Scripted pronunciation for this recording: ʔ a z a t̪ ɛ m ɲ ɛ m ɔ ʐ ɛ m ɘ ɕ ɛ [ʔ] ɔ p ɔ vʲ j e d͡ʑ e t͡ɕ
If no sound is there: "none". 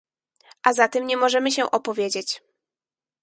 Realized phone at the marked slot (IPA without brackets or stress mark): ʔ